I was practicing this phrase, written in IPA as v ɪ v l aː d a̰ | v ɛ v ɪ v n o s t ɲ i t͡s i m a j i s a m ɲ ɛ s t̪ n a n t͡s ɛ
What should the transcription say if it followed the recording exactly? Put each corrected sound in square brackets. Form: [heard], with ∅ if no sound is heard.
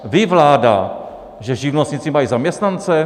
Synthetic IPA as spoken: v ɪ v l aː d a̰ | [ʒ] ɛ [ʒ] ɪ v n o s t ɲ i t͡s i m a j i [z] a m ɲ ɛ s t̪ n a n t͡s ɛ